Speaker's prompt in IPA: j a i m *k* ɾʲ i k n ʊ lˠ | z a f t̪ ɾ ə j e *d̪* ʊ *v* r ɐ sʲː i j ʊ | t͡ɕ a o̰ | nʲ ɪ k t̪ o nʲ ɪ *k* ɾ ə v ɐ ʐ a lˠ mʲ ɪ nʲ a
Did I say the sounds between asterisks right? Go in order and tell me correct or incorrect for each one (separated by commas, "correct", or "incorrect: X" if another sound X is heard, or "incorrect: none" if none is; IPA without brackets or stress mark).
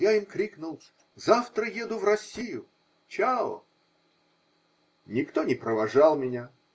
correct, correct, correct, incorrect: p